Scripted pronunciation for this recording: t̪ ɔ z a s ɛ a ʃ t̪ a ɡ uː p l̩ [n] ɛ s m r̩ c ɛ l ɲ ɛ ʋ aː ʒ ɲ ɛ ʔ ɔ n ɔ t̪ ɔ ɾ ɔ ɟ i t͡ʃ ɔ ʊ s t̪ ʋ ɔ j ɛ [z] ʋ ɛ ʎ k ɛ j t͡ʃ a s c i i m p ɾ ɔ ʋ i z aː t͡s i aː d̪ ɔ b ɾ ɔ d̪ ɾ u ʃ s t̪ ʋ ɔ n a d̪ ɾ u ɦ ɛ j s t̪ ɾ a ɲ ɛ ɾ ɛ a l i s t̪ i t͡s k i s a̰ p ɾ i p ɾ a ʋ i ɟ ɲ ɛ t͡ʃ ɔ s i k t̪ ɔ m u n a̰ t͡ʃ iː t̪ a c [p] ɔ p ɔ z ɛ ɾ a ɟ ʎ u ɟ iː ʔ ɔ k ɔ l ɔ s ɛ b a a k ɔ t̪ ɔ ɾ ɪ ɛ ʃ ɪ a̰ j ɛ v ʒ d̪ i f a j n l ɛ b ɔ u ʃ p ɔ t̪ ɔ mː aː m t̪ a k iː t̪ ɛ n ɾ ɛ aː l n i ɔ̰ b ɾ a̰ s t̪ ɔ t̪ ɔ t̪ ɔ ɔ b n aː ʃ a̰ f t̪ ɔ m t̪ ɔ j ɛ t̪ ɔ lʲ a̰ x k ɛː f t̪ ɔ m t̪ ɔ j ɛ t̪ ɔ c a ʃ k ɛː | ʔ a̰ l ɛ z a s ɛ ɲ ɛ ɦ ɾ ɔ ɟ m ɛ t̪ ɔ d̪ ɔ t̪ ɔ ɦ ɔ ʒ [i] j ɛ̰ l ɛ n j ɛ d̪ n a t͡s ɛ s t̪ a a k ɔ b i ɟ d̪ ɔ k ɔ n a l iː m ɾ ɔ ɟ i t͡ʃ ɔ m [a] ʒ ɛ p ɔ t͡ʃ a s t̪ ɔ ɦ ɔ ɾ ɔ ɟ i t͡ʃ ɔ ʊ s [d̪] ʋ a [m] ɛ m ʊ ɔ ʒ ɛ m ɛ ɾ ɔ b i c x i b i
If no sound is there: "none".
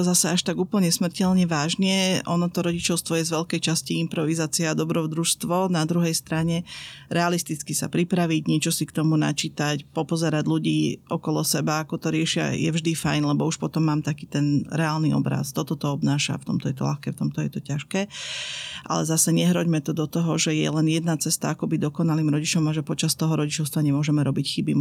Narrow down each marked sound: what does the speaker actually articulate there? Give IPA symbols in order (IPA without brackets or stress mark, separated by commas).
ɲ, z, p, ɛ, a, t̪, ɲ